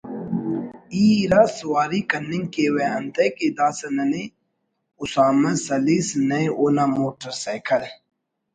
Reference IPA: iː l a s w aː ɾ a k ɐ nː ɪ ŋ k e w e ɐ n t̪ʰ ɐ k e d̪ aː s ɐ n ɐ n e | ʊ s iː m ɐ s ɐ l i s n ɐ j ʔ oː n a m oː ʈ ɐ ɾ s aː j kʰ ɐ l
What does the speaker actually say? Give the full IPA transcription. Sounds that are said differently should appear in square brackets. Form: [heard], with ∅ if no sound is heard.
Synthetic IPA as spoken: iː [ɾ] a s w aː ɾ [i] k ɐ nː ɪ ŋ k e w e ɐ n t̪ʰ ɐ k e d̪ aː s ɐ n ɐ n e | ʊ s [aː] m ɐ s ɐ l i s n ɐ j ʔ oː n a m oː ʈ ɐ ɾ s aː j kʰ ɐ l